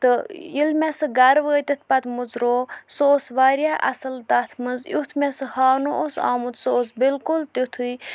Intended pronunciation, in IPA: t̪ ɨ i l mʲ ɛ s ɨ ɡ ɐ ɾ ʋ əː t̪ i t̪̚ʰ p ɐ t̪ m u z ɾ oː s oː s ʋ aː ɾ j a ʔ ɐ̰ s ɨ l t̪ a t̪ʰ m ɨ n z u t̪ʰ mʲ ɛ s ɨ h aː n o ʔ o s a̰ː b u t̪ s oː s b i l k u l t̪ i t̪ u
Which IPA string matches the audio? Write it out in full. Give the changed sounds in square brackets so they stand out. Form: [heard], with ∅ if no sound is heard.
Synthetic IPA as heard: t̪ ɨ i l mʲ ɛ s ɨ ɡ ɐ ɾ ʋ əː t̪ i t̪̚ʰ p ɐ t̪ m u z ɾ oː s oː s ʋ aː ɾ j a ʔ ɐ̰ s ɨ l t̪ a t̪ʰ m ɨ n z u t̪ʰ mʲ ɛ s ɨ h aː n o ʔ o s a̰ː [m] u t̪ s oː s b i l k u l t̪ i [t̪ʰ] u